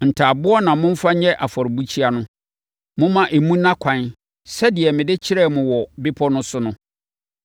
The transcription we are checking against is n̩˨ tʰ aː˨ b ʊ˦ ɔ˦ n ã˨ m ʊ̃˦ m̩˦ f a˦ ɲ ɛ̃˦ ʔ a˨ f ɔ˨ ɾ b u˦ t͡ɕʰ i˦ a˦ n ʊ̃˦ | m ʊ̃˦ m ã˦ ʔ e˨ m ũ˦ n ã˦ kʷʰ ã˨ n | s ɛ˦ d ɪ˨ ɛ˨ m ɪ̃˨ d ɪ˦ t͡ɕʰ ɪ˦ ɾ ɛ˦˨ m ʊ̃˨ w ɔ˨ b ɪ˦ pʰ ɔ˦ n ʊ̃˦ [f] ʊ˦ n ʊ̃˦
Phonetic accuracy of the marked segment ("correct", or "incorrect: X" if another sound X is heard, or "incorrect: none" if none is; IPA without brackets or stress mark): incorrect: s